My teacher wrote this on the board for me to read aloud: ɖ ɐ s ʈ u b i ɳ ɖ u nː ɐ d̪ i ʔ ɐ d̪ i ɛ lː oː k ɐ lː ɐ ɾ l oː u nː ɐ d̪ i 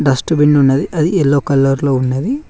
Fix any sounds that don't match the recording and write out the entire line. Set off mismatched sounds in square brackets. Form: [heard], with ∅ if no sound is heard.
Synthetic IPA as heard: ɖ ɐ s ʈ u b i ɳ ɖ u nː ɐ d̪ i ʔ ɐ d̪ i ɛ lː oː k ɐ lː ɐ ɾ l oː u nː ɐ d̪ i